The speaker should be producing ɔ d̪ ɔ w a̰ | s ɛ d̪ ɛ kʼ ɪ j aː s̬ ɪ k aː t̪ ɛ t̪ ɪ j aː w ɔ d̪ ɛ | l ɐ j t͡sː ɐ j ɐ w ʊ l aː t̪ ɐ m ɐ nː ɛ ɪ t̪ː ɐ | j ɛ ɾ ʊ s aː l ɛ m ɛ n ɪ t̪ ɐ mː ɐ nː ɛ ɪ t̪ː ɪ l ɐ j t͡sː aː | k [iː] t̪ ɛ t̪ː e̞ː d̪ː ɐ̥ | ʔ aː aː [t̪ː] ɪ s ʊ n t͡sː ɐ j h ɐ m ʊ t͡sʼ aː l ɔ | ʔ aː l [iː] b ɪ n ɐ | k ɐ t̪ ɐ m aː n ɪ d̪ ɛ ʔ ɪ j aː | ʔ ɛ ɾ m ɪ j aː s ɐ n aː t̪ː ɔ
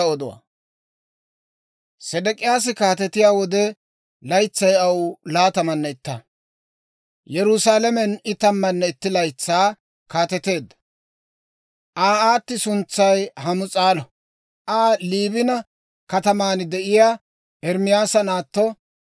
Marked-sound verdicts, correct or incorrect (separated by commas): incorrect, correct, correct